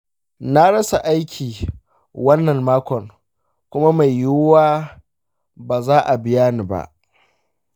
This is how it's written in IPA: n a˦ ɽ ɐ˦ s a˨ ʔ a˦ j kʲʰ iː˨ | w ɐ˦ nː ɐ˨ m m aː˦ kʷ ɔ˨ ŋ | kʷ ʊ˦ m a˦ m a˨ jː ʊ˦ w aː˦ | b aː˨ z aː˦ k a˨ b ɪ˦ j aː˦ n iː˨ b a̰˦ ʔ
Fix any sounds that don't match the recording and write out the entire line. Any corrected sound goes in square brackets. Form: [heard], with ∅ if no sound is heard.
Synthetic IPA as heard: n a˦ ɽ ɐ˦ s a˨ ʔ a˦ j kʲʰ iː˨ | w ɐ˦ nː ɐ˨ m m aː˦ kʷ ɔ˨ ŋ | kʷ ʊ˦ m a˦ m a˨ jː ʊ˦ w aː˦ | b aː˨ z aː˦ [ʔ] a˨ b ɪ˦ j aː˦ n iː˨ b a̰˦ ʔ